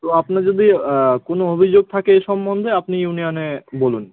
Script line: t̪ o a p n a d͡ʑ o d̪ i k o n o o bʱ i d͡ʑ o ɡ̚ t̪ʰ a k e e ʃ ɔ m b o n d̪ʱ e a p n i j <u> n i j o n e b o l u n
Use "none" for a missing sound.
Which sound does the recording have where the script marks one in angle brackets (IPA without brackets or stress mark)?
u